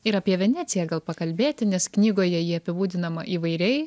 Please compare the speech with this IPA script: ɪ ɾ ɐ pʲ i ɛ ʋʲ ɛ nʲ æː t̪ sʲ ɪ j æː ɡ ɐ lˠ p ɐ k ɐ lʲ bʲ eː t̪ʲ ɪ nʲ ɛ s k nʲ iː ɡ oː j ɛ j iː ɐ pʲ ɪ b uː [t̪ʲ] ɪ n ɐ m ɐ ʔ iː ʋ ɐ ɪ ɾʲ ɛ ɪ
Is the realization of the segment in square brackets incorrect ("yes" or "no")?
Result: yes